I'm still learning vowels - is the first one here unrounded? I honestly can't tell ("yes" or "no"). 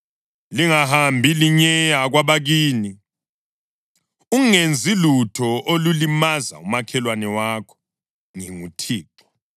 yes